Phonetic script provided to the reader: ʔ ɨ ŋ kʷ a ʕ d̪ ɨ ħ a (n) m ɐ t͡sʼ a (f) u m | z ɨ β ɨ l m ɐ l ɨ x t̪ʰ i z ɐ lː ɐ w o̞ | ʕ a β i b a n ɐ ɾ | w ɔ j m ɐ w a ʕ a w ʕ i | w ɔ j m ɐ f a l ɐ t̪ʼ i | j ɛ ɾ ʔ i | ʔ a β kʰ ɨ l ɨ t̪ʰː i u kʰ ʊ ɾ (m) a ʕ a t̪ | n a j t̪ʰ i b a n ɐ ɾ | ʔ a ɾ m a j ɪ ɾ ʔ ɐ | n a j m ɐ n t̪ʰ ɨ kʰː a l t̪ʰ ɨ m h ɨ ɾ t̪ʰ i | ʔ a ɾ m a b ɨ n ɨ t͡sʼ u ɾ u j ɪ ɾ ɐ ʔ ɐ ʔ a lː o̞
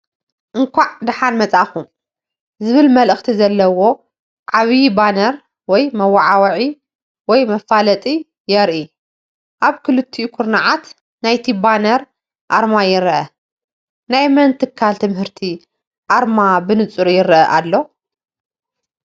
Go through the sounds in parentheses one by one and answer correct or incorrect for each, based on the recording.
correct, incorrect, incorrect

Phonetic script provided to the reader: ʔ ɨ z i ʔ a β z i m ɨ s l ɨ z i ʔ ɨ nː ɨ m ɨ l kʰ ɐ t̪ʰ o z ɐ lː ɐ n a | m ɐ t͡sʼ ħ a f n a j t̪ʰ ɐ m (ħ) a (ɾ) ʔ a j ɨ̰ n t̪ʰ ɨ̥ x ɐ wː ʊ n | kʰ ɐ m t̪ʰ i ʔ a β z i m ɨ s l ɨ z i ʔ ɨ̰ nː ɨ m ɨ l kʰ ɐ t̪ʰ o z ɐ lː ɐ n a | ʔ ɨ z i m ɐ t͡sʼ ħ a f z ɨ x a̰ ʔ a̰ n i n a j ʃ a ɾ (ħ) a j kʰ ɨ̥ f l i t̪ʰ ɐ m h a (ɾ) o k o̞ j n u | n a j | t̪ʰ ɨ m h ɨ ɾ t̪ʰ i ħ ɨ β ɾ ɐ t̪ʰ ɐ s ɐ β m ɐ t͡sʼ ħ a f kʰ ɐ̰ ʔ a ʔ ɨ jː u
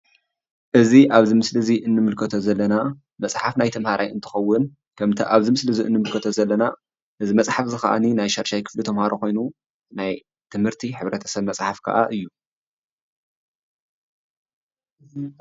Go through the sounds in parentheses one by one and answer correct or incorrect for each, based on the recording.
incorrect, correct, incorrect, correct

